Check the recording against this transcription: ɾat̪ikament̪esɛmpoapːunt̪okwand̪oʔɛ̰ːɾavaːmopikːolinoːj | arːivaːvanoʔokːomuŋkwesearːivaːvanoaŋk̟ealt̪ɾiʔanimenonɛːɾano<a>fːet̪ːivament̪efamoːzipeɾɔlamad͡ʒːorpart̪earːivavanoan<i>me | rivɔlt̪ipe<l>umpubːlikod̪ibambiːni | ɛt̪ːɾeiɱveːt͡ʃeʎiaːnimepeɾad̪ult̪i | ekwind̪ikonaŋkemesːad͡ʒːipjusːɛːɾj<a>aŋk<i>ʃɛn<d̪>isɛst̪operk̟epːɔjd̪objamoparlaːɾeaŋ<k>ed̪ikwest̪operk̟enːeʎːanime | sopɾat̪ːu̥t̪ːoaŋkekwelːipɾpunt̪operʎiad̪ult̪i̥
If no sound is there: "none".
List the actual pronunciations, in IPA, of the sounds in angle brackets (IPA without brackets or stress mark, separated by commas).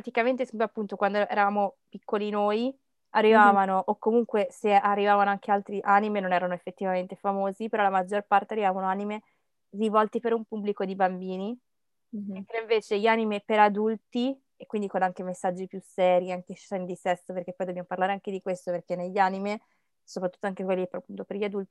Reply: e, i, ɾ, i, e, d̪, k